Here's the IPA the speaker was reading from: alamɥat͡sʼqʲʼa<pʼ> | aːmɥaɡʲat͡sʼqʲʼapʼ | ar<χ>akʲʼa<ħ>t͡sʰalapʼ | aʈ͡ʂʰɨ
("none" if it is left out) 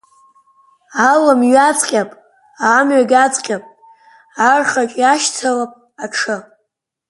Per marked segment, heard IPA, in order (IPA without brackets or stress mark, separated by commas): pʼ, χ, ʃ